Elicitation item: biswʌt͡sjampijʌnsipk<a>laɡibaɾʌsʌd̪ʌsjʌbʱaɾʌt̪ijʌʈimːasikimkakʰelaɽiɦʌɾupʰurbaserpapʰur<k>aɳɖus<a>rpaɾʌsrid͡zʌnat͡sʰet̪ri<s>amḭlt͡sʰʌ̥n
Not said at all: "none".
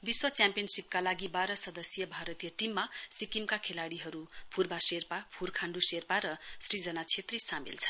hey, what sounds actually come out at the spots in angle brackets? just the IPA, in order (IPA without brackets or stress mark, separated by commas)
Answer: a, kʰ, e, s